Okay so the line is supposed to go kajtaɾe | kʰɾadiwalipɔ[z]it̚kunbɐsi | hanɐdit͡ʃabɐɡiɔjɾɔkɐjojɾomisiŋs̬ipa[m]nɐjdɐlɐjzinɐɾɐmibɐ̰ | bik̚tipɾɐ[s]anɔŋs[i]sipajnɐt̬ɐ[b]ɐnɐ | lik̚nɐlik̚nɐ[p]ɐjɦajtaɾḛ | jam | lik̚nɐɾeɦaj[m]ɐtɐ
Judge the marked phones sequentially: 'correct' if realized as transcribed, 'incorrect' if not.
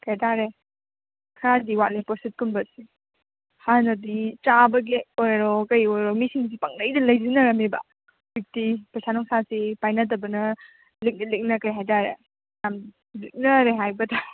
incorrect: s, incorrect: ŋ, correct, incorrect: a, correct, incorrect: k, incorrect: b

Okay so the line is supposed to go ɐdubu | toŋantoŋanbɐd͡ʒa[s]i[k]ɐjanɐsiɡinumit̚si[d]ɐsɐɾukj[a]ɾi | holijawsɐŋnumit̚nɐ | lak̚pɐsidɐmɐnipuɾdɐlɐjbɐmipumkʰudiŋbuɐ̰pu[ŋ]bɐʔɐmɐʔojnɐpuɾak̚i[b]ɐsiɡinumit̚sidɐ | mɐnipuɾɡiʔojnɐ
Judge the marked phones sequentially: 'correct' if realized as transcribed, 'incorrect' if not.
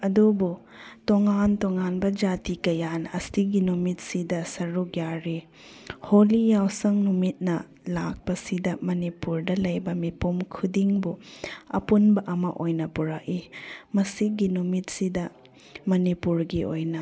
incorrect: t, correct, correct, correct, incorrect: n, incorrect: m

